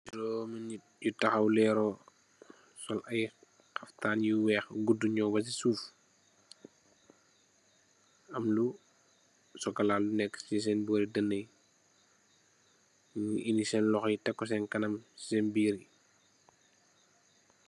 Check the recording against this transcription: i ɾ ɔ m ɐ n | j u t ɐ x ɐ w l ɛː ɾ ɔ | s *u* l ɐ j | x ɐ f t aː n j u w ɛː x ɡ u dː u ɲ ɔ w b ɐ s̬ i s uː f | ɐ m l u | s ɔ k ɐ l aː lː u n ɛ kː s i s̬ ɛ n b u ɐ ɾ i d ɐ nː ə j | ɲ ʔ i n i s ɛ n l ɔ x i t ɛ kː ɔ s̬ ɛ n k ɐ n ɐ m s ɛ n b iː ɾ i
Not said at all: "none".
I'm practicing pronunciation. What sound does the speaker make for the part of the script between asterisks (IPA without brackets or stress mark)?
ɔ